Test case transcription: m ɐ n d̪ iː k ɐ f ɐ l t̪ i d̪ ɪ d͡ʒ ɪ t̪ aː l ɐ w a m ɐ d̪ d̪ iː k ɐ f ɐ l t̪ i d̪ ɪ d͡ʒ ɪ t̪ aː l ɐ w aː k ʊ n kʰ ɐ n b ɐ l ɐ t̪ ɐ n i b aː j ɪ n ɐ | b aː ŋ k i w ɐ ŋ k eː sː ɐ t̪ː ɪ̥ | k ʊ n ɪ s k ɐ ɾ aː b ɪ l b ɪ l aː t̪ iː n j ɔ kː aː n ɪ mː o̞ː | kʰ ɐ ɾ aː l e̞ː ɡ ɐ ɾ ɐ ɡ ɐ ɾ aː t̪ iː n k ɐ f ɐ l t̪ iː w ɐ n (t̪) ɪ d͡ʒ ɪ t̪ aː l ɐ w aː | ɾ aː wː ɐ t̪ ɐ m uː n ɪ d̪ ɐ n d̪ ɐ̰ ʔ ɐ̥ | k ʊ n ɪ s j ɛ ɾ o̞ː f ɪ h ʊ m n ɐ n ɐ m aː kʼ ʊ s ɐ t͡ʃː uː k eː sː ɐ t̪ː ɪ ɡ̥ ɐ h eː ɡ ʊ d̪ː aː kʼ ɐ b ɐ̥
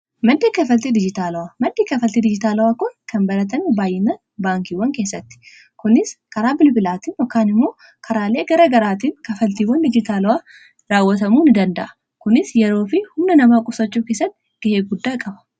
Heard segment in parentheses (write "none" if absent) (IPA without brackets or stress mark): d̪